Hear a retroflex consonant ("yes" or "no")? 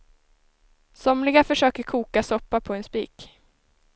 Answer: yes